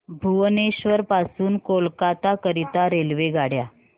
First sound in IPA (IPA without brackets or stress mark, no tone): bʱ